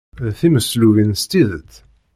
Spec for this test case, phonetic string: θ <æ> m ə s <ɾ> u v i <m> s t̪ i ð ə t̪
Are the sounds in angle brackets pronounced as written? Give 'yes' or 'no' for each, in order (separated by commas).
no, no, no